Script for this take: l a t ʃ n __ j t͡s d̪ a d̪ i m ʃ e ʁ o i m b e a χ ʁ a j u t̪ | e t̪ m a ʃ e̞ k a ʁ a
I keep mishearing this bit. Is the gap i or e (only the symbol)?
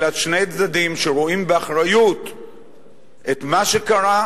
e